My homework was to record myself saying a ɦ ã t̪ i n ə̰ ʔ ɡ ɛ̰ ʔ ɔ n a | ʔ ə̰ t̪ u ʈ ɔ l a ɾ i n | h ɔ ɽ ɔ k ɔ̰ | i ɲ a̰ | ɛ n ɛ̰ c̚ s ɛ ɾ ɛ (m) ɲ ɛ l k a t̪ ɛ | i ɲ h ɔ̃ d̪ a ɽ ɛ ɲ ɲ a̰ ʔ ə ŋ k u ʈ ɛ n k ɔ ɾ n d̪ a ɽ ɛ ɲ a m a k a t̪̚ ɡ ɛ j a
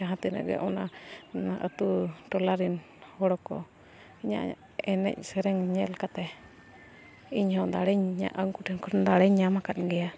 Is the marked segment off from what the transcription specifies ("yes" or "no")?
yes